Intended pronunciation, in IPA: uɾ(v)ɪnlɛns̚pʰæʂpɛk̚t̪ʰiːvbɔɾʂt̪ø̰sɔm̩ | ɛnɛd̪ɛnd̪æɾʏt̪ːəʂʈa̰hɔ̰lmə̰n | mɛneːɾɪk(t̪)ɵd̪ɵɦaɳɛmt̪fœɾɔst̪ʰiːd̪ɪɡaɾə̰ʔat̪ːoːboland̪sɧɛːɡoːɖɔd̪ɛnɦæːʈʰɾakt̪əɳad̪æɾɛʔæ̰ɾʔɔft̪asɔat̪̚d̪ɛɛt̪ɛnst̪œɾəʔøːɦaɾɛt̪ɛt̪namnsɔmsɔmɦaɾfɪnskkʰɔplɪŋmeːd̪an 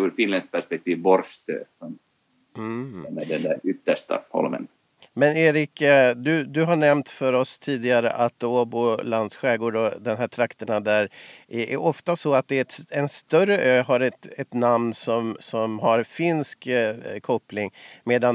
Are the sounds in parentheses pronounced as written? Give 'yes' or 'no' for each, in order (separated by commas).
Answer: no, no